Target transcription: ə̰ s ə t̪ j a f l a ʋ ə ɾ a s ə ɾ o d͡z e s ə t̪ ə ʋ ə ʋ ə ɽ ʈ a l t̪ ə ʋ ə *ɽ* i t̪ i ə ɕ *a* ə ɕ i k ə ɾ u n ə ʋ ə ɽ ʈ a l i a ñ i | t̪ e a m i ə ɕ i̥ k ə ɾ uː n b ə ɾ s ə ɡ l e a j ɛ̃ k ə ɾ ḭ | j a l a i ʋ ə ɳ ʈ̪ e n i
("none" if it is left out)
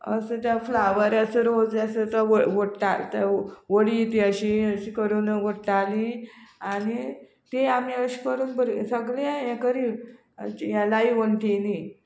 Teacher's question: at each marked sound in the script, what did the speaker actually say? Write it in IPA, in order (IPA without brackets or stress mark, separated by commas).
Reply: ɽ, i